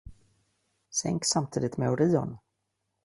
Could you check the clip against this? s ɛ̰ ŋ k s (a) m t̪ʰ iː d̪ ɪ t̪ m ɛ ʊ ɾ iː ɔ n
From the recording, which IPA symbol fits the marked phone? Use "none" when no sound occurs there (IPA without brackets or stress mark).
a